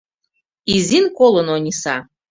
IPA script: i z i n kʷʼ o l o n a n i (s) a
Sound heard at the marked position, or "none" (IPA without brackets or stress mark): s